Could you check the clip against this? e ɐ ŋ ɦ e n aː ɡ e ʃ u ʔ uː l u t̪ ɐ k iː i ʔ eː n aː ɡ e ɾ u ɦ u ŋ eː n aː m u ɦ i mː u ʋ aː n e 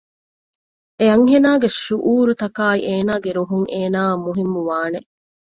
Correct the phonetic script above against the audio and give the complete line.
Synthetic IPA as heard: e ɐ ŋ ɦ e n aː ɡ e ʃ u ʔ uː ɾ u t̪ ɐ k aː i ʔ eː n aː ɡ e ɾ u ɦ u ŋ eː n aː m u ɦ i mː u ʋ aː n e